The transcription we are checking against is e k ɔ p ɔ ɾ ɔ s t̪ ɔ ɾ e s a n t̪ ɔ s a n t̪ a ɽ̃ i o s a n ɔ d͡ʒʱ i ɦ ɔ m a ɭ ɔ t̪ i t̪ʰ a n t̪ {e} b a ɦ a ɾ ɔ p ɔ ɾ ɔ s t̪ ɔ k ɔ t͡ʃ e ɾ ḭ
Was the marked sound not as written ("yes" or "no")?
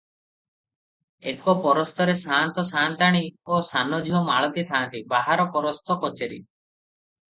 yes